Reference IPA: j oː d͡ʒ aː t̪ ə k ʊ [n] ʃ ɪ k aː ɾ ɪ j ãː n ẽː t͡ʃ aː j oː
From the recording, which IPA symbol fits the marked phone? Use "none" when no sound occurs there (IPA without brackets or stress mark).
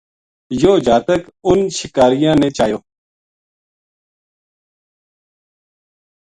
n